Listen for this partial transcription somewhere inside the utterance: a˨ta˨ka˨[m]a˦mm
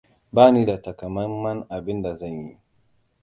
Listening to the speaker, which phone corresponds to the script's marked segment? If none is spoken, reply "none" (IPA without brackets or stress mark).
m